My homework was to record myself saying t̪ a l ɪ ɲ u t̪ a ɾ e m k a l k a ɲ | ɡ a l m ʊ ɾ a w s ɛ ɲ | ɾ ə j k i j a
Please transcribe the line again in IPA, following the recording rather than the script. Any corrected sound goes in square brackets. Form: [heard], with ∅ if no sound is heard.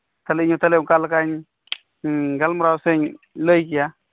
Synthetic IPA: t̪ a l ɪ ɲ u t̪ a [l] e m k a l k a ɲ | ɡ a l m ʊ ɾ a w s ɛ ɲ | [l] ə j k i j a